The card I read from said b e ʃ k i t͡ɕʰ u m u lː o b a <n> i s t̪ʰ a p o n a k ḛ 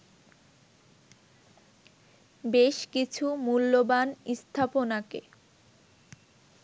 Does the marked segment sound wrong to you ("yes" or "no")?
no